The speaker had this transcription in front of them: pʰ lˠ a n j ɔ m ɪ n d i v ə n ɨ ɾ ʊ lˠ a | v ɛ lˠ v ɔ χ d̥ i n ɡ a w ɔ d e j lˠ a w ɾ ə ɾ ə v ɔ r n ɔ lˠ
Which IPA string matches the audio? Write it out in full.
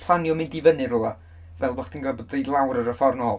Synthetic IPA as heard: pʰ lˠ a n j ɔ m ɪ n d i v ə n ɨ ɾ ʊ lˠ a | v ɛ lˠ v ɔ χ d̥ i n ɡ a b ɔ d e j lˠ a w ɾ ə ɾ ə f ɔ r n ɔ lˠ